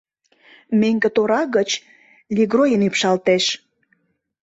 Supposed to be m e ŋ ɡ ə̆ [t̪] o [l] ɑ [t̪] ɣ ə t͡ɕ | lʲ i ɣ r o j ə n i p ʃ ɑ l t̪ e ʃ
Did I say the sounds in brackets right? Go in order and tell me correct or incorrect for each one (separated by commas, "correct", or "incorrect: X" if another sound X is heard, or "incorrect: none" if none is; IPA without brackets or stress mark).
correct, incorrect: ɾ, incorrect: none